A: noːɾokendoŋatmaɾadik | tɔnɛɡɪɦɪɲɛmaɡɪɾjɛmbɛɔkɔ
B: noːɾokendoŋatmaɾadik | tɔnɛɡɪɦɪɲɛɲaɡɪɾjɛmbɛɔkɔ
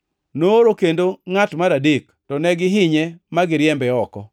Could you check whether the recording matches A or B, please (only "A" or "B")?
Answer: A